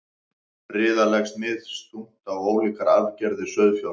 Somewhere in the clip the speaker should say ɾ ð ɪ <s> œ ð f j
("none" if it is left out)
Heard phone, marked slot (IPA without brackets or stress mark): s